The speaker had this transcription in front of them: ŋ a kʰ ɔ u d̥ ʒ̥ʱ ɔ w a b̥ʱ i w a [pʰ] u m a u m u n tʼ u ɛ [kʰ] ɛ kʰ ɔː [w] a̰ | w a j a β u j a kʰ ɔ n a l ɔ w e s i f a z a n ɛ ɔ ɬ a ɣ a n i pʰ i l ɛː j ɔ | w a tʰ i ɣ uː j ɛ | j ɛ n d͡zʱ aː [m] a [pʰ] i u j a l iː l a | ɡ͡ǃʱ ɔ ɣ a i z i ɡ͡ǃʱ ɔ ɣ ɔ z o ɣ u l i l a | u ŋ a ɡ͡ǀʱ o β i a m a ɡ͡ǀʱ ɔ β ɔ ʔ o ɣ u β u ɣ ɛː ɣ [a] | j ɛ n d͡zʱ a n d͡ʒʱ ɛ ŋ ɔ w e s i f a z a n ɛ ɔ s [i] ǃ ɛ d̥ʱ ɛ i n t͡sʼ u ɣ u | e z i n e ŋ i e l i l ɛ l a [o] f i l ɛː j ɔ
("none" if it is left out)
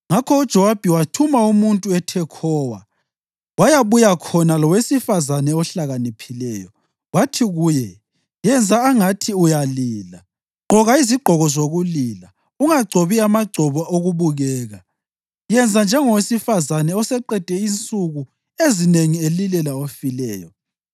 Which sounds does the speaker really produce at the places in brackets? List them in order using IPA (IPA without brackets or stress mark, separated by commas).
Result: tʰ, tʰ, w, ŋ, tʰ, a, ɛ, o